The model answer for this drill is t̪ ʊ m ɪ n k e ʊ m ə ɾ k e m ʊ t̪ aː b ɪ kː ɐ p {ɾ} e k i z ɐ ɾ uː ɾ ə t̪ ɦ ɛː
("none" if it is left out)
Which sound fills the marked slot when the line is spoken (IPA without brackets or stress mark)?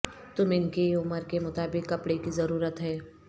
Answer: ɽ